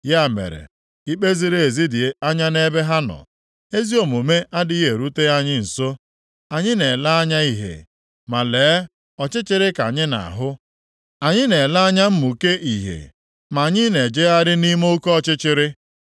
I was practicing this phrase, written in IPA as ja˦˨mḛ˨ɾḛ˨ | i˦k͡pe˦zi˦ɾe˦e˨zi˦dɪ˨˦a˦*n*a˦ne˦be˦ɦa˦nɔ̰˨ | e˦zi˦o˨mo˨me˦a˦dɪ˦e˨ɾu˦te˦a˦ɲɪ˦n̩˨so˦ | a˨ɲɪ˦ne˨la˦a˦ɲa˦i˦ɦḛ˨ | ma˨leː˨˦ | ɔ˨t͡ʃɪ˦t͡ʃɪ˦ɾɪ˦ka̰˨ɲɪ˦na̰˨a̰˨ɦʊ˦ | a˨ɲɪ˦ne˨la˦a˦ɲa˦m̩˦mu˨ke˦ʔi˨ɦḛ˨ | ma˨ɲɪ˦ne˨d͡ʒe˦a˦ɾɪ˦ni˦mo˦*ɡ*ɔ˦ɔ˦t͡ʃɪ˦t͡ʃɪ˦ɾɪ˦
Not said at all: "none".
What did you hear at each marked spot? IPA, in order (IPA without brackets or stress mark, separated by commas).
ɲ, k